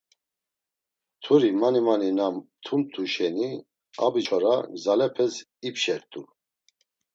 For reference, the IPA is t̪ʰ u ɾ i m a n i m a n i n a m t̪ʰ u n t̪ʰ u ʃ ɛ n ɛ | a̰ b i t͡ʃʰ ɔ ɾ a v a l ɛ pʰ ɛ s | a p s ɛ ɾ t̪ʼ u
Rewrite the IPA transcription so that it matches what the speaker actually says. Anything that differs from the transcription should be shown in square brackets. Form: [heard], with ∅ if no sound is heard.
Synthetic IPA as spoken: t̪ʰ u ɾ i m a n i m a n i n a m t̪ʰ u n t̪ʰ u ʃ ɛ n [i] | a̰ b i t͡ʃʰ ɔ ɾ a [z] a l ɛ pʰ ɛ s | [i] p [ʃ] ɛ ɾ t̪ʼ u